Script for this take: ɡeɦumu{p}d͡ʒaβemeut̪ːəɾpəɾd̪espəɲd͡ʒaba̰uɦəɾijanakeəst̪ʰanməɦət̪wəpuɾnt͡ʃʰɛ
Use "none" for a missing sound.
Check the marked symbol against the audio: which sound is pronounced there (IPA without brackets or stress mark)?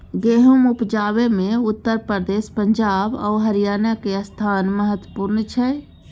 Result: p